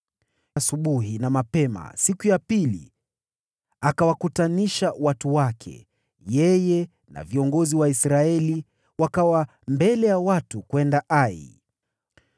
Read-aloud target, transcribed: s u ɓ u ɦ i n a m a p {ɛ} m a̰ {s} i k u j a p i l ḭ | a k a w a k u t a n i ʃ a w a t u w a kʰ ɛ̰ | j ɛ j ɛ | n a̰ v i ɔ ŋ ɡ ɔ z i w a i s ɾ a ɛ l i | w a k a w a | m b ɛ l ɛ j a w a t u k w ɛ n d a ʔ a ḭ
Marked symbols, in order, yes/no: yes, yes

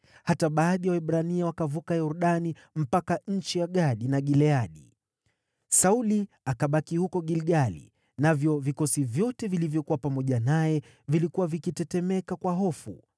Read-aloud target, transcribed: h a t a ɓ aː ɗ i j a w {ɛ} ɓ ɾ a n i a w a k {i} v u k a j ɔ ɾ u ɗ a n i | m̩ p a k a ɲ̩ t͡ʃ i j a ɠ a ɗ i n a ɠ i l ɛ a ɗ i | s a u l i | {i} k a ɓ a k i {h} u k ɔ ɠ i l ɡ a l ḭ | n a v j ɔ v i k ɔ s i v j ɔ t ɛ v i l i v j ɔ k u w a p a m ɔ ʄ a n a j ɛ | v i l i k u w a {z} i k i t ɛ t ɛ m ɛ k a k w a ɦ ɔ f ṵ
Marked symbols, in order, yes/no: yes, no, no, yes, no

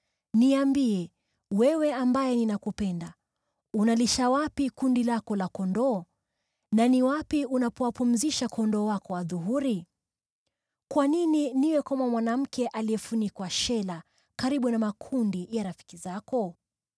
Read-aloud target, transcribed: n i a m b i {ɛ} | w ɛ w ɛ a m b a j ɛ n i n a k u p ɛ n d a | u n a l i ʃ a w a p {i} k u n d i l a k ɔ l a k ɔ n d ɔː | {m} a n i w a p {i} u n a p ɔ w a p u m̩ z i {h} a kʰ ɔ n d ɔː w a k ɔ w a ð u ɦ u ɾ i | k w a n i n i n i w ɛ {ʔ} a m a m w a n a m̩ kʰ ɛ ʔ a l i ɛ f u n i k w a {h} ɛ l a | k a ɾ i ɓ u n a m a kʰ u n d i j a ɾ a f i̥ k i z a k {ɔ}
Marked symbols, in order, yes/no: yes, yes, no, yes, no, no, no, yes

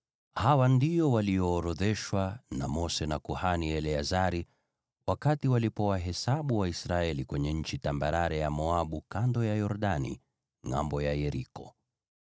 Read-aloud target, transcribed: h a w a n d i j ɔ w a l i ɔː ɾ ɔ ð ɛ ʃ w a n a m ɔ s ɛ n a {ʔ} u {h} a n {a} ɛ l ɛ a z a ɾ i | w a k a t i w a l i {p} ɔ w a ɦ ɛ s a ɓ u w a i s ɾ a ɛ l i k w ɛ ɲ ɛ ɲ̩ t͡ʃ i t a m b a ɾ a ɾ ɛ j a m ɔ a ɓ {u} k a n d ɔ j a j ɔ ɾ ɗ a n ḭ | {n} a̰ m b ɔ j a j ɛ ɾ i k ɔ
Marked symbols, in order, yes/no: no, yes, no, yes, yes, no

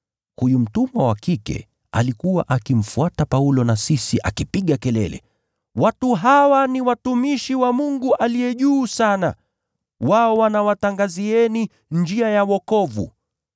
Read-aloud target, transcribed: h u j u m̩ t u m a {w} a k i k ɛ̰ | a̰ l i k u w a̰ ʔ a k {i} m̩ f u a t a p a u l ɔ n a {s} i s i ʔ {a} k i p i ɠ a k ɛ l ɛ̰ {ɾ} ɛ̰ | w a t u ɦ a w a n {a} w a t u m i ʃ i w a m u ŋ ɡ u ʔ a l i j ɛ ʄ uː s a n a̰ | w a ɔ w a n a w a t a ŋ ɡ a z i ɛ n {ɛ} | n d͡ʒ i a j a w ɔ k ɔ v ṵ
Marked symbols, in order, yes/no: yes, yes, yes, yes, no, no, no

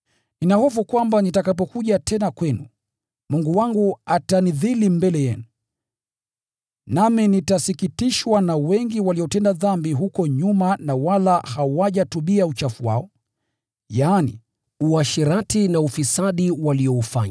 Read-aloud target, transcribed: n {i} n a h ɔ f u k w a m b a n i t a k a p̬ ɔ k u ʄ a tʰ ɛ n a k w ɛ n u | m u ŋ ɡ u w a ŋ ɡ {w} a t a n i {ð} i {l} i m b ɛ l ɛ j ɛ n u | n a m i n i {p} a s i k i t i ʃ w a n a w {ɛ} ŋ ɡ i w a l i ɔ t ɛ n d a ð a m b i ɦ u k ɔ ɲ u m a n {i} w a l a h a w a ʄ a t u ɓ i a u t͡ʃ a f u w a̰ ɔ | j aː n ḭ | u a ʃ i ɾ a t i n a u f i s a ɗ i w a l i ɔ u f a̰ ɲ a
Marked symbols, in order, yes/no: yes, no, yes, yes, no, yes, no

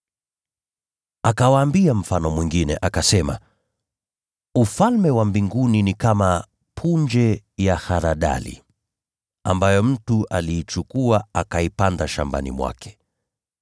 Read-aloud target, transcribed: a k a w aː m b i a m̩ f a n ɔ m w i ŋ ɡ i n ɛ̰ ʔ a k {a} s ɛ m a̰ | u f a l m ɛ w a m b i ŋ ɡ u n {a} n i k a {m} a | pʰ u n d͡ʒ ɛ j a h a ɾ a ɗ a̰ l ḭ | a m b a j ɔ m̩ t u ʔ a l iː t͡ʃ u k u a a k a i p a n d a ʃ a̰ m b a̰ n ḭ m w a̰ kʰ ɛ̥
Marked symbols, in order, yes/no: yes, no, yes

